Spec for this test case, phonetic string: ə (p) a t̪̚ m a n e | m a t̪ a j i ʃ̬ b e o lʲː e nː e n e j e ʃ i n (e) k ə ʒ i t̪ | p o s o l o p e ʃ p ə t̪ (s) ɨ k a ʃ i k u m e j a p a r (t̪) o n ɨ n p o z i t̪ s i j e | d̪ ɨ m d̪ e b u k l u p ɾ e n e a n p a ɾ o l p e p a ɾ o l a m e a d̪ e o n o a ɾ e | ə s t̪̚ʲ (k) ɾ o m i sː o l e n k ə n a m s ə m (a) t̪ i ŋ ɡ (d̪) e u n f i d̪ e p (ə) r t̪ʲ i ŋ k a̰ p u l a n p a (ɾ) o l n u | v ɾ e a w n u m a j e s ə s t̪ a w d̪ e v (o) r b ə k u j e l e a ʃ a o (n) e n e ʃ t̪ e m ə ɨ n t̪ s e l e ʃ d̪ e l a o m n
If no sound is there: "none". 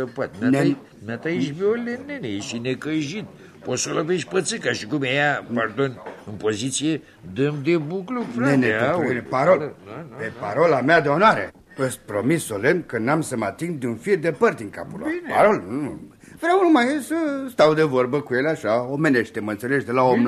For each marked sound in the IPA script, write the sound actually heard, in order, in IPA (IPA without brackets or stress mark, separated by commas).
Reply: p, e, s, d̪, p, a, d̪, ə, ɾ, o, m